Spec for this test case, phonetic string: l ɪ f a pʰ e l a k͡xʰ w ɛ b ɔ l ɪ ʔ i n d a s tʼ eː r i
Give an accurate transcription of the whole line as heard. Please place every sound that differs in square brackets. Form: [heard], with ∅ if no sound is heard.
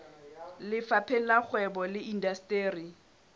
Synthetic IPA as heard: l ɪ f a pʰ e l a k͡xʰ w ɛ b ɔ l ɪ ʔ i n d a s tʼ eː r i

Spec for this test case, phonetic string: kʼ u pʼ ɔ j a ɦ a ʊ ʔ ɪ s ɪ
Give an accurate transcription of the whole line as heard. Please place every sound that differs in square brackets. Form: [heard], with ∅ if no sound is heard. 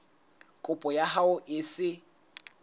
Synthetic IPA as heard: kʼ [ʊ] pʼ ɔ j a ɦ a ʊ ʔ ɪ s ɪ

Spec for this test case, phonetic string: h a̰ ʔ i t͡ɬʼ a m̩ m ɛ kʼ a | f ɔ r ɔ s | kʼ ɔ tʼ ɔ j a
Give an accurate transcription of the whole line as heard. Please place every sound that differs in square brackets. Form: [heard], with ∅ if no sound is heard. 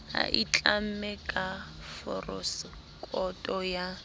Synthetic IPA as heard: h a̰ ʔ i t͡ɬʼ a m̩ m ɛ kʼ a | f ɔ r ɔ s | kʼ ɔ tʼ ɔ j a

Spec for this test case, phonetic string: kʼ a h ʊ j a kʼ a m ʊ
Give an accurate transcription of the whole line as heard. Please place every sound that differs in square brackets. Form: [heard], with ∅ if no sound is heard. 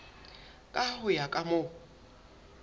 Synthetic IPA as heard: kʼ a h ʊ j a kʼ a m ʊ

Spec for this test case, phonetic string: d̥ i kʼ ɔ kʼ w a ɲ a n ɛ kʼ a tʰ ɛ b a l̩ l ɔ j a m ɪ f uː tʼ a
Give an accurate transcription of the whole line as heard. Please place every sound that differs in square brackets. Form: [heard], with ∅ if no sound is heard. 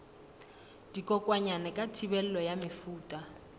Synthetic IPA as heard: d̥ i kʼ ɔ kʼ w a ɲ a n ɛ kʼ a tʰ [i] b [ɛ] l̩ l ɔ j a m ɪ f uː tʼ a

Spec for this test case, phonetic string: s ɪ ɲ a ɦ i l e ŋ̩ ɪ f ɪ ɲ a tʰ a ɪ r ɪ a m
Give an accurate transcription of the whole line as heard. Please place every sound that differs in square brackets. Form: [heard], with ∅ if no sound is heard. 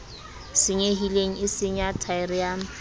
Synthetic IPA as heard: s ɪ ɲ [e] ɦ i l e ŋ̩ ɪ [s] ɪ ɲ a tʰ a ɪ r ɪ a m

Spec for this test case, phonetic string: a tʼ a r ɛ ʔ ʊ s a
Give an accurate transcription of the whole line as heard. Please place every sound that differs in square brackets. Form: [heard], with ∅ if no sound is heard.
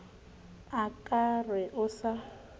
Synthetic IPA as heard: a [kʼ] a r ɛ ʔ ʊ s a

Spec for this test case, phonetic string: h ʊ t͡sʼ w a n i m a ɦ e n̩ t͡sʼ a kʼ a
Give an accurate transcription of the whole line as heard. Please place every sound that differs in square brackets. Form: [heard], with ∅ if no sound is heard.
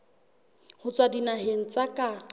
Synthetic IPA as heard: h ʊ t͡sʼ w a [d] i [n] a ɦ e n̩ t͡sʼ a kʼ a

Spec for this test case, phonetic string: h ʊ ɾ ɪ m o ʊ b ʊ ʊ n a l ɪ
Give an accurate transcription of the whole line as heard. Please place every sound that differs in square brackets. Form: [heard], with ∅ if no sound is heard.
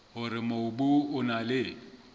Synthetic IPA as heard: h ʊ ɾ ɪ m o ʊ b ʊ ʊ n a l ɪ

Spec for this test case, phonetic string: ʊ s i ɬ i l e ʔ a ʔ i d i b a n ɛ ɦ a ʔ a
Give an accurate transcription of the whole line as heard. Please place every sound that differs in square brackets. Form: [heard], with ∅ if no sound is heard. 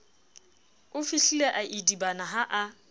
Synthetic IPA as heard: ʊ [f] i ɬ i l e ʔ a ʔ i d i b a n [a] ɦ a ʔ a

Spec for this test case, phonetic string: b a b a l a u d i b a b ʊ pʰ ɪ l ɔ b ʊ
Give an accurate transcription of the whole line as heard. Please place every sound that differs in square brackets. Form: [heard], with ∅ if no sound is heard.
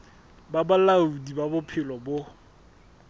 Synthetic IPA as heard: b a b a l a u d i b a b ʊ pʰ ɪ l ɔ b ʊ

